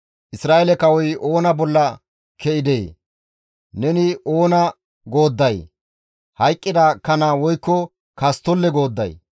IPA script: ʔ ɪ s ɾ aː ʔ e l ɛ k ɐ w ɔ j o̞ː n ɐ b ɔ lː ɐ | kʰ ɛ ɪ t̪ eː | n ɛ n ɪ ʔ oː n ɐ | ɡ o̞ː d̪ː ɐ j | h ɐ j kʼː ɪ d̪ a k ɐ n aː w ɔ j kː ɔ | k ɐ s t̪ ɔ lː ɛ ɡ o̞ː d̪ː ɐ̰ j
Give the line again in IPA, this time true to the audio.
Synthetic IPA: ʔ ɪ s ɾ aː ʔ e l ɛ k ɐ w ɔ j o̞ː n ɐ b ɔ lː ɐ | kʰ ɛ ɪ d̪ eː | n ɛ n ɪ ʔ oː n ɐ | ɡ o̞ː d̪ː ɐ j | h ɐ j kʼː ɪ d̪ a k ɐ n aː w ɔ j kː ɔ | k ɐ s t̪ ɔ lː ɛ ɡ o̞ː d̪ː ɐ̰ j

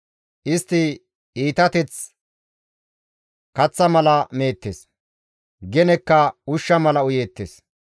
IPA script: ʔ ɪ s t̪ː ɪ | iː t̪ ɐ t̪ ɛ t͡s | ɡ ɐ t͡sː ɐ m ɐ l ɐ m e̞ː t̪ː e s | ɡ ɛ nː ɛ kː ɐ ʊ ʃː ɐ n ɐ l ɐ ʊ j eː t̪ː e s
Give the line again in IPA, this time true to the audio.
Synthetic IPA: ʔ ɪ s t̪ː ɪ | iː t̪ ɐ t̪ ɛ t͡s | k ɐ t͡sː ɐ m ɐ l ɐ m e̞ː t̪ː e s | ɡ ɛ n ɛ kː ɐ ʊ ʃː ɐ m ɐ l ɐ ʊ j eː t̪ː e s

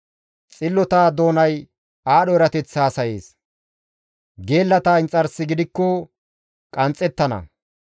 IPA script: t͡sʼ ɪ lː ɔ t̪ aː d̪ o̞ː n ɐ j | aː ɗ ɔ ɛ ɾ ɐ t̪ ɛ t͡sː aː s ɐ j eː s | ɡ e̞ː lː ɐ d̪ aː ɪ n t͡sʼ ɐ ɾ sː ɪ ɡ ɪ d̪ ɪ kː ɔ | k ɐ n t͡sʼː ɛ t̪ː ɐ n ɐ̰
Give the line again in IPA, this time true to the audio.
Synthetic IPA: t͡sʼ ɪ lː ɔ t̪ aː d̪ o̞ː n ɐ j | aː ɗ ɔ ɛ ɾ ɐ t̪ ɛ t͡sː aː s ɐ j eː s | ɡ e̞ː lː ɐ t̪ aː ɪ n t͡sʼ ɐ ɾ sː ɪ ɡ ɪ d̪ ɪ kː ɔ | kʼ ɐ n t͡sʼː ɛ t̪ː ɐ n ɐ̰

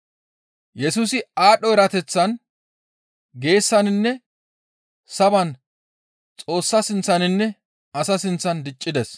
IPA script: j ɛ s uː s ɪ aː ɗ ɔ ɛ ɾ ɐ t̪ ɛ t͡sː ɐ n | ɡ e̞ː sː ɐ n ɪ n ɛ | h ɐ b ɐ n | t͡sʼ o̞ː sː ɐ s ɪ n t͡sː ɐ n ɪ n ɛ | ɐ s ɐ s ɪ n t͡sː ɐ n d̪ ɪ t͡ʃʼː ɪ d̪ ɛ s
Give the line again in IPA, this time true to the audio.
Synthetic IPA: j ɛ s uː s ɪ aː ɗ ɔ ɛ ɾ ɐ t̪ ɛ t͡sː ɐ n | ɡ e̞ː sː ɐ n ɪ nː ɛ | s ɐ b ɐ n | t͡sʼ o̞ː sː ɐ s ɪ n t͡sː ɐ n ɪ nː ɛ | ɐ s ɐ s ɪ n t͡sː ɐ n d̪ ɪ t͡ʃʼː ɪ d̪ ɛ s

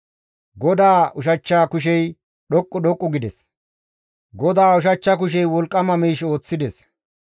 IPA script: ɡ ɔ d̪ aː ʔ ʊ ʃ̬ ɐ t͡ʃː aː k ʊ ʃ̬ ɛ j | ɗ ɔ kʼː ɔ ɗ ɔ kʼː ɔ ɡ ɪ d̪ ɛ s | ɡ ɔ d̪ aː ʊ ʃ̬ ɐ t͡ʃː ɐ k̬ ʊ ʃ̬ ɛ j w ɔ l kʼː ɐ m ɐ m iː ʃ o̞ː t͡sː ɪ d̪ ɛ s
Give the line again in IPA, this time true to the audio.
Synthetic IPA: ɡ ɔ d̪ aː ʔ ʊ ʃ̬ ɐ t͡ʃː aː k ʊ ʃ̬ ɛ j | ɗ ɔ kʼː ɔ ɗ ɔ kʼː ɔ ɡ ɪ d̪ ɛ s | ɡ ɔ d̪ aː ʊ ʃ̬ ɐ t͡ʃː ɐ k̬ ʊ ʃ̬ ɛ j w ɔ l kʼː ɐ m ɐ m iː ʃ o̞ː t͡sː ɪ d̪ ɛ s

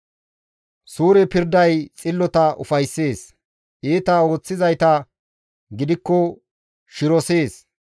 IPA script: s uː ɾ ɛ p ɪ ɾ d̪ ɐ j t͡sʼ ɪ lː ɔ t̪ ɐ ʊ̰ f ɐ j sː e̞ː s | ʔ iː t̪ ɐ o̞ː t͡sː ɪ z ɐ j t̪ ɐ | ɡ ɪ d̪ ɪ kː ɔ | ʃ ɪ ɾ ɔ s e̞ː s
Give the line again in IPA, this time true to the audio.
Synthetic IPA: s uː ɾ ɛ p ɪ ɾ d̪ ɐ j t͡sʼ ɪ lː ɔ t̪ ɐ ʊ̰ f ɐ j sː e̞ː s | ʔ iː t̪ ɐ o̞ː t͡sː ɪ z ɐ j t̪ ɐ | ɡ ɪ d̪ ɪ kː ɔ | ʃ ɪ ɾ ɔ s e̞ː s

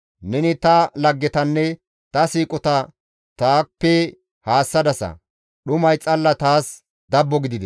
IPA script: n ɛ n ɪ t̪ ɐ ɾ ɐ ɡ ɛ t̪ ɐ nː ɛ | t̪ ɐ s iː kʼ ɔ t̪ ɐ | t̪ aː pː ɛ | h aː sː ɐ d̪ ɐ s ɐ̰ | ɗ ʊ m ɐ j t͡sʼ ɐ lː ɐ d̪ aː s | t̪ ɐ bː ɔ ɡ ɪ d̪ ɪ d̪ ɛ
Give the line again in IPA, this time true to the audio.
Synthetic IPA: n ɛ n ɪ t̪ ɐ l ɐ ɡː ɛ t̪ ɐ nː ɛ | t̪ ɐ s iː kʼ ɔ t̪ ɐ | t̪ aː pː ɛ | h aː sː ɐ d̪ ɐ s ɐ̰ | ɗ ʊ m ɐ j t͡sʼ ɐ lː ɐ t̪ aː s | d̪ ɐ bː ɔ ɡ ɪ d̪ ɪ d̪ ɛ

